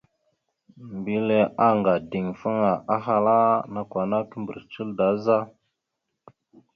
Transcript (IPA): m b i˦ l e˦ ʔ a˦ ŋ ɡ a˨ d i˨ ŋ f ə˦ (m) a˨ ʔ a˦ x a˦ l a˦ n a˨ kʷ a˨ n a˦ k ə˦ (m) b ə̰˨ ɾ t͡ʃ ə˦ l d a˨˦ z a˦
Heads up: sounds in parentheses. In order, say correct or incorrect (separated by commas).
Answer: incorrect, correct